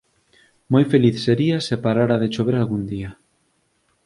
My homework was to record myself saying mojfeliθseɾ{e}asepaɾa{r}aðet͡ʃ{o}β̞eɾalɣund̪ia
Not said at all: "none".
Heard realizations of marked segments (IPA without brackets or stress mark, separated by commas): i, ɾ, o